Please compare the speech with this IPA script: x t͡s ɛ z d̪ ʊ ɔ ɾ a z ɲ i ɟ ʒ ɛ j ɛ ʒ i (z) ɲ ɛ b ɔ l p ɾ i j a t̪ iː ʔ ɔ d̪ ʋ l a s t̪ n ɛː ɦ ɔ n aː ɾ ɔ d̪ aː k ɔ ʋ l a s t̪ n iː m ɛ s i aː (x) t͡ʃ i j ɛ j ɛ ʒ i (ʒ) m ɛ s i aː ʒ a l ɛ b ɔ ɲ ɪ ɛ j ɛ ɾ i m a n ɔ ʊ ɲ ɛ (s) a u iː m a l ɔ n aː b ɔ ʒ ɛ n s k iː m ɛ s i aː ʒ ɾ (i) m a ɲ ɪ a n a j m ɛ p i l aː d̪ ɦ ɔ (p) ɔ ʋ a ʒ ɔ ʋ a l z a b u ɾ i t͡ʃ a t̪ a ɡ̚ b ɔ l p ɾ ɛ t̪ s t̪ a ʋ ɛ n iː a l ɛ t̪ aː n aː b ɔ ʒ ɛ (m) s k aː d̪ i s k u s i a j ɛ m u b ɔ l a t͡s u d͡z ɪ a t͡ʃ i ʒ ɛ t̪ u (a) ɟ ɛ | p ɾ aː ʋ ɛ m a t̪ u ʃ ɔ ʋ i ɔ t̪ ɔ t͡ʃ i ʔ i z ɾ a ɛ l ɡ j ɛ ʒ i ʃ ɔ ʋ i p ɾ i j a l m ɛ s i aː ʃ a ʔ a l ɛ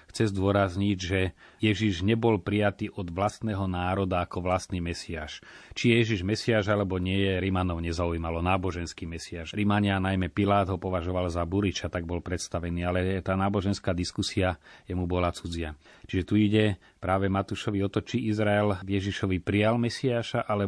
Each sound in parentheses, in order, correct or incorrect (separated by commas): incorrect, incorrect, correct, incorrect, correct, correct, incorrect, incorrect